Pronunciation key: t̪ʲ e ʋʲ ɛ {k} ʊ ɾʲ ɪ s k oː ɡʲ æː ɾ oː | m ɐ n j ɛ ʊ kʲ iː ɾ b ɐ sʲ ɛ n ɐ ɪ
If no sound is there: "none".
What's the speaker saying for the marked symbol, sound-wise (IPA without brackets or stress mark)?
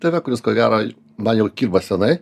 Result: k